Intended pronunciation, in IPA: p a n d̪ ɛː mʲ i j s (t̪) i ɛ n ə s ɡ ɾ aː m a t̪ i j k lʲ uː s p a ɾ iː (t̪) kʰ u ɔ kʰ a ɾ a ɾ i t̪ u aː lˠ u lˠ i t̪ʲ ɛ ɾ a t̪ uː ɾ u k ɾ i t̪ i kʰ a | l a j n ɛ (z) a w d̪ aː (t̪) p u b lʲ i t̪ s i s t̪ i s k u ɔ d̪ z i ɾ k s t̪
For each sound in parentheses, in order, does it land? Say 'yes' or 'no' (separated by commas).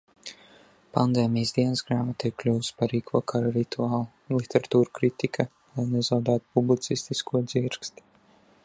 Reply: no, no, yes, yes